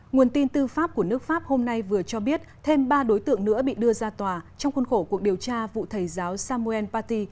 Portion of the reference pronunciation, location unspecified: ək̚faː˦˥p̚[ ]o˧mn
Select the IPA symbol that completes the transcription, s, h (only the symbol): h